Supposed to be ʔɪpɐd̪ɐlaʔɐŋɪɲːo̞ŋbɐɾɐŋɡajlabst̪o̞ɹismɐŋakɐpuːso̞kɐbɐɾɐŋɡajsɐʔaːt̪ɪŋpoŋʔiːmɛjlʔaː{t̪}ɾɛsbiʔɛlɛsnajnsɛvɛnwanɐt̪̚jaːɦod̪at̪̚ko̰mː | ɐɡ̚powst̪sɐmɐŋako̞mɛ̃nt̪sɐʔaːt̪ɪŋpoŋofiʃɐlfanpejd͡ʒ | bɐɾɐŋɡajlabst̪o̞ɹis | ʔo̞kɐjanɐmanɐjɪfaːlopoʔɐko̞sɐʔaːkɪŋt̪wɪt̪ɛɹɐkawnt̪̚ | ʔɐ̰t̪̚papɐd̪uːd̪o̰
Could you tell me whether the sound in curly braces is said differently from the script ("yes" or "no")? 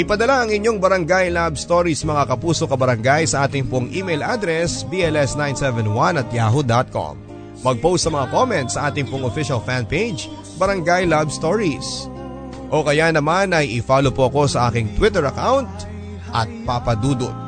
yes